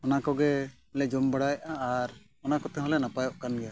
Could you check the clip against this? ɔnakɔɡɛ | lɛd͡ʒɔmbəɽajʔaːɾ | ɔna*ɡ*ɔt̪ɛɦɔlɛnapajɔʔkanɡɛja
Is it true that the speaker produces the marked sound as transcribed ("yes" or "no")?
no